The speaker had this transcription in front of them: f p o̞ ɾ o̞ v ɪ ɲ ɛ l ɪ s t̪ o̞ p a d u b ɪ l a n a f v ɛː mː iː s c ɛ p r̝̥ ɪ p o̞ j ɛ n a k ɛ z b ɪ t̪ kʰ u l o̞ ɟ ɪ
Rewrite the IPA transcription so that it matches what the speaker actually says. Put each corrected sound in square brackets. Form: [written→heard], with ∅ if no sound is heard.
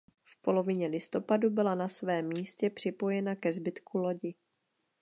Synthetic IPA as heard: f p o̞ [ɾ→l] o̞ v ɪ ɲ ɛ l ɪ s t̪ o̞ p a d u b ɪ l a n a [f→s] v ɛː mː iː s c ɛ p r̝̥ ɪ p o̞ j ɛ n a k ɛ z b ɪ t̪ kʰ u l o̞ ɟ ɪ